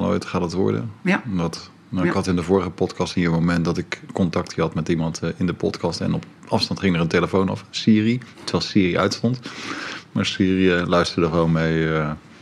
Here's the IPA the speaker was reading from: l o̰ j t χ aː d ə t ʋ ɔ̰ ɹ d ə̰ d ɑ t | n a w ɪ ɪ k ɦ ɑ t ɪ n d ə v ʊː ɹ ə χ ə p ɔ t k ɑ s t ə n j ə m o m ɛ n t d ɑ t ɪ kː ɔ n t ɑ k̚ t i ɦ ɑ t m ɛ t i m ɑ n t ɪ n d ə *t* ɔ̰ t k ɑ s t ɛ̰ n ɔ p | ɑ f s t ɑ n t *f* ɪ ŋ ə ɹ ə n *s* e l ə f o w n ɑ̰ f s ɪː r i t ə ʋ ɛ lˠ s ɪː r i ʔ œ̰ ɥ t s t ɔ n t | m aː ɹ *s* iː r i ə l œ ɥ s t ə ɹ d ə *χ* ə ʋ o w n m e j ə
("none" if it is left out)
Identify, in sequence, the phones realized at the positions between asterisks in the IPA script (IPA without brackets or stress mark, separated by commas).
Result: p, χ, t, s, χ